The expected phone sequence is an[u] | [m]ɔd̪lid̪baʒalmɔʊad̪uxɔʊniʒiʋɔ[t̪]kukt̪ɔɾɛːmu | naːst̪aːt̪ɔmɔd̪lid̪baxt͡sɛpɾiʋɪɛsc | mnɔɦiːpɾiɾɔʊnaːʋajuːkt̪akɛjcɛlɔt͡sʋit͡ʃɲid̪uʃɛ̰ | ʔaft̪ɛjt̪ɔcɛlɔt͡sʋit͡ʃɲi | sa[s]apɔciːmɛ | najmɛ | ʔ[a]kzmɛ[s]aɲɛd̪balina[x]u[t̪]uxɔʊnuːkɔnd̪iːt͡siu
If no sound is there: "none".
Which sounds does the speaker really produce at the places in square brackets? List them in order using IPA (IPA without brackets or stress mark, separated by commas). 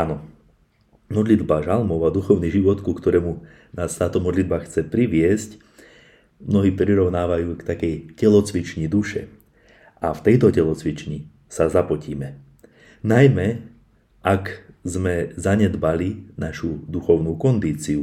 ɔ, m, t̪, z, a, z, ʃ, d̪